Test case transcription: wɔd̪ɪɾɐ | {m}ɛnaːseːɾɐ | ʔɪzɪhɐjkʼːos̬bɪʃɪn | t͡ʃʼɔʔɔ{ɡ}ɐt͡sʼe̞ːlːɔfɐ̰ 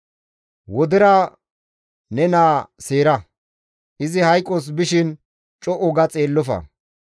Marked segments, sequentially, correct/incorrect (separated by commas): incorrect, correct